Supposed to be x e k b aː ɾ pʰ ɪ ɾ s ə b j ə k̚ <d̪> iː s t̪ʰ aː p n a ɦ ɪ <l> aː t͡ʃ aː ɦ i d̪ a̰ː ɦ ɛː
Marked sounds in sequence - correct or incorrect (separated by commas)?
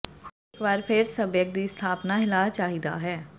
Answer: correct, correct